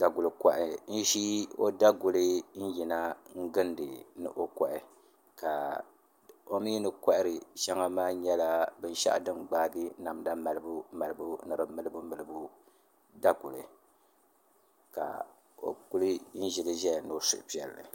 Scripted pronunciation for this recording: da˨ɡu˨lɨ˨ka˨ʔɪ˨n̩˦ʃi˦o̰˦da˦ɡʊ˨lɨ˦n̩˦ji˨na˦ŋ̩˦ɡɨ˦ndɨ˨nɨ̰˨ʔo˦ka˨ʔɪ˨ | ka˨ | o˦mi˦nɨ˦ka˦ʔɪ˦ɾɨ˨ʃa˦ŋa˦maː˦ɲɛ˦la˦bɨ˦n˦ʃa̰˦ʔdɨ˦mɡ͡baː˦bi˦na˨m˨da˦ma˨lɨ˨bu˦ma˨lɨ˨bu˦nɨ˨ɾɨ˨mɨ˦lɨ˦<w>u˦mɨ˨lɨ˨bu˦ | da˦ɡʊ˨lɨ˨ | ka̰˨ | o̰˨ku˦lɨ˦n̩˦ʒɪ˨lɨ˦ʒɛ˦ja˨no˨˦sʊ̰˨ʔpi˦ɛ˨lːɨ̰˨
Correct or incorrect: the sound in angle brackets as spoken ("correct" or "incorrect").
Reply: incorrect